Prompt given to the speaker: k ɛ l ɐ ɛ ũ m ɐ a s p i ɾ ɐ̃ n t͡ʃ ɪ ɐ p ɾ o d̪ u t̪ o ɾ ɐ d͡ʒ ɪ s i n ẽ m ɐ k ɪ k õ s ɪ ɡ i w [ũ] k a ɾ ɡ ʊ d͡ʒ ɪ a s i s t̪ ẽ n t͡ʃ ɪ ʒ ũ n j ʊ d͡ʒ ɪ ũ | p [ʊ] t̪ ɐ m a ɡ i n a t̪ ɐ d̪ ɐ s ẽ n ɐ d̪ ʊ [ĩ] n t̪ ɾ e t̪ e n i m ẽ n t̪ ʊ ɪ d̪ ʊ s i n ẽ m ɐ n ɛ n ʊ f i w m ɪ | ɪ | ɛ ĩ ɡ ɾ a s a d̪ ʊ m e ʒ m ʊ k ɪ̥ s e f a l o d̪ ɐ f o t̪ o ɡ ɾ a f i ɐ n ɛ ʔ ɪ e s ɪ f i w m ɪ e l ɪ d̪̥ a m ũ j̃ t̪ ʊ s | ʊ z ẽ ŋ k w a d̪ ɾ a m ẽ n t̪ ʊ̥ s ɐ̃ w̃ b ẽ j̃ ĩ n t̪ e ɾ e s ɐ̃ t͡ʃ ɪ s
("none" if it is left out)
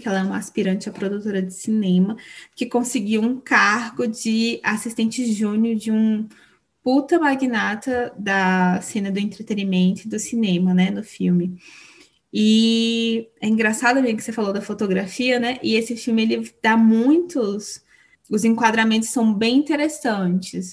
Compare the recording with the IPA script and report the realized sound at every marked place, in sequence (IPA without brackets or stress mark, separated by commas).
ũ, u, ẽ